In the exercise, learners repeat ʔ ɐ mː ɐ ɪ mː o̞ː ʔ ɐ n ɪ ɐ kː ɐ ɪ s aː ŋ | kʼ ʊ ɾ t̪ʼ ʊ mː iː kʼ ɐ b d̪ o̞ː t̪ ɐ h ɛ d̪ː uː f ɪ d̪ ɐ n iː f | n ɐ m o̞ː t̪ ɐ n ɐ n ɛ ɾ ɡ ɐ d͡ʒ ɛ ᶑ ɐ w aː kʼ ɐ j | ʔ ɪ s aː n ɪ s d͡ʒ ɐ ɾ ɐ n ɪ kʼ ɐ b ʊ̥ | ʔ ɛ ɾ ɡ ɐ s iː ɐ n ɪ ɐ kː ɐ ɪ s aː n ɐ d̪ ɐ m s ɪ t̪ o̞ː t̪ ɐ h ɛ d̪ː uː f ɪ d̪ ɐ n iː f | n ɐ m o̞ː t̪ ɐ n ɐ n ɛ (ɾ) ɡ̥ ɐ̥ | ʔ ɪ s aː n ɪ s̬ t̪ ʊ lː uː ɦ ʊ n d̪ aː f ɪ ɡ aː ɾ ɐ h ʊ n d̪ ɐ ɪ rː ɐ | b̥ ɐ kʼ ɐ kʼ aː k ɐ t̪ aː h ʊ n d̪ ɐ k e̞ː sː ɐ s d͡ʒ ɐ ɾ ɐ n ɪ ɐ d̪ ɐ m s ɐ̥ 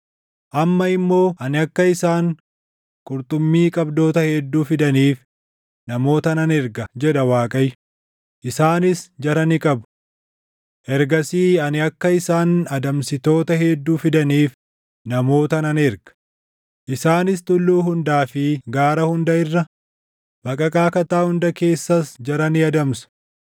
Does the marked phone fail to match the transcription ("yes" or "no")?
no